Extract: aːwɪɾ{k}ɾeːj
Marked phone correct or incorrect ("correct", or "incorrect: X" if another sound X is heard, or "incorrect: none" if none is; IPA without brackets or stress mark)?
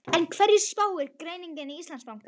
correct